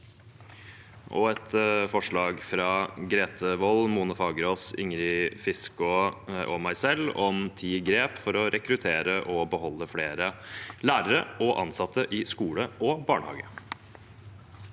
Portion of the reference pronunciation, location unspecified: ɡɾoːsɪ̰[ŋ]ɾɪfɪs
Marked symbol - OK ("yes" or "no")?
yes